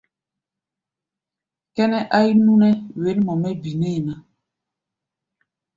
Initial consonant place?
velar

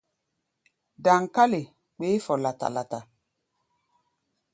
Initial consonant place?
alveolar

